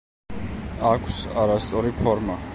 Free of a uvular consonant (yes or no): yes